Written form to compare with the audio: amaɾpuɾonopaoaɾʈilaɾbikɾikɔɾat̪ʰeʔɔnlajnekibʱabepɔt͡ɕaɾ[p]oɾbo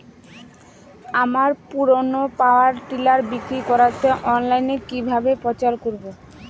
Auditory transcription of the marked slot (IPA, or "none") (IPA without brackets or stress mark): k